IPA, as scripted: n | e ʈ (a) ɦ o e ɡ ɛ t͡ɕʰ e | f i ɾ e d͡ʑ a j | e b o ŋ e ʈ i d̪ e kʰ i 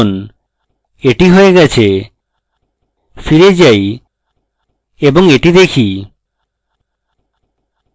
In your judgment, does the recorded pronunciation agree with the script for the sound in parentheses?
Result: no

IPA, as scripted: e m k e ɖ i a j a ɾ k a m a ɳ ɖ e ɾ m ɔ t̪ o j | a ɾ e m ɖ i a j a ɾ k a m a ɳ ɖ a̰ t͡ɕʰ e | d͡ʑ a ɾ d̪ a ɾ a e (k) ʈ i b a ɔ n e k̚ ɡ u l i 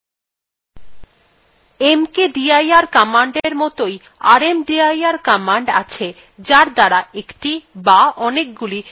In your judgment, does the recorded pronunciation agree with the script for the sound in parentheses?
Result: yes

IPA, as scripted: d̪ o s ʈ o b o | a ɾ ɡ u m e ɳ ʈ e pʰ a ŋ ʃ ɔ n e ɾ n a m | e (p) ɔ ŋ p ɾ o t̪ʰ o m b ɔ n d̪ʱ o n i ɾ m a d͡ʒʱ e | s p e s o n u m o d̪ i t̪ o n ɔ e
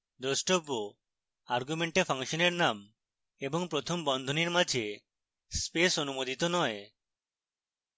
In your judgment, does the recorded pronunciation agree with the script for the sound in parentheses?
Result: no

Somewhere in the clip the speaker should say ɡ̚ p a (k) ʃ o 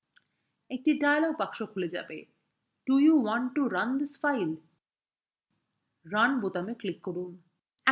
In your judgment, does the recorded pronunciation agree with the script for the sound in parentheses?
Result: yes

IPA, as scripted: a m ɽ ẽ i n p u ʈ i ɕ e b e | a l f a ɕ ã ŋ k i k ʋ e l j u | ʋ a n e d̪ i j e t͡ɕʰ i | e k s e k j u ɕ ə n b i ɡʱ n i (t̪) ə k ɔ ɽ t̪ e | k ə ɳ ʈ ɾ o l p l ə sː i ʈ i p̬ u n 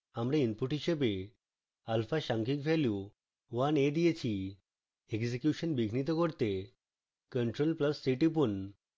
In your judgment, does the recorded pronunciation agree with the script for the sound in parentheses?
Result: yes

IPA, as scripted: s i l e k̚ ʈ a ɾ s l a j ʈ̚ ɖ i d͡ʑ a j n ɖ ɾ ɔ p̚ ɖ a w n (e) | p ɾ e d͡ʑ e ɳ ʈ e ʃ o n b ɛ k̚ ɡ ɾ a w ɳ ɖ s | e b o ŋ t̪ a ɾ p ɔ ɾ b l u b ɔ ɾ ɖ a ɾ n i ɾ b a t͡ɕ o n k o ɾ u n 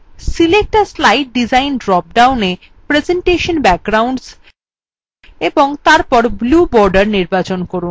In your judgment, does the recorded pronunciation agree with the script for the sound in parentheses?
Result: yes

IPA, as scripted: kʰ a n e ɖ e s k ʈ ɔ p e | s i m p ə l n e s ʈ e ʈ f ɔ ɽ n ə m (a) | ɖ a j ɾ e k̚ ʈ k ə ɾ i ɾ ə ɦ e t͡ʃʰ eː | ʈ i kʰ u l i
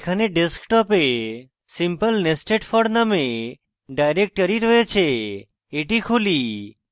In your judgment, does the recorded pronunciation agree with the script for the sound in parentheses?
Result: no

